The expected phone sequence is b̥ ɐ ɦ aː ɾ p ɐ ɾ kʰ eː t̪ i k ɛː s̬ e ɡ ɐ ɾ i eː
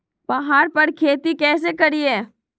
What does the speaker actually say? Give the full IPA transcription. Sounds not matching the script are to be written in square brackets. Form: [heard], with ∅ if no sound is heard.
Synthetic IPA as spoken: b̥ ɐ ɦ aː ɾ p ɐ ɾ kʰ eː t̪ i k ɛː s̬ e [k] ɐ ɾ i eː